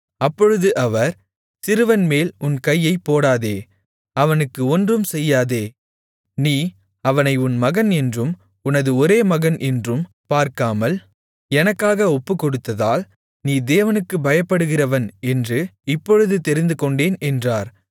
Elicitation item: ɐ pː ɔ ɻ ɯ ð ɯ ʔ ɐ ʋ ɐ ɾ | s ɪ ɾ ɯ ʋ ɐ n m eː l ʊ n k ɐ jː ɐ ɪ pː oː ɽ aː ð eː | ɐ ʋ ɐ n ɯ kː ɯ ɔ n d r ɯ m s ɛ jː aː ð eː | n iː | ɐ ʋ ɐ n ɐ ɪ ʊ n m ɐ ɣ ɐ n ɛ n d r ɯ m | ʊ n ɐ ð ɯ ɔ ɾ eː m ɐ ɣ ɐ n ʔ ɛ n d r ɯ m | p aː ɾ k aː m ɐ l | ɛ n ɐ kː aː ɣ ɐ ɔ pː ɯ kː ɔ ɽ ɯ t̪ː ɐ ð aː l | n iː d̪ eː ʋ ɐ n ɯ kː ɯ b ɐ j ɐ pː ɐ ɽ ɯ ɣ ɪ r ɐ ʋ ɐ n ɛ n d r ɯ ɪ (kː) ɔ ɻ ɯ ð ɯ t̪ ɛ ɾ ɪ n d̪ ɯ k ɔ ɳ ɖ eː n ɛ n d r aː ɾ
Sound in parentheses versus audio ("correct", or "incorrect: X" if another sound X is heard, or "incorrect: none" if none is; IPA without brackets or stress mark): incorrect: pː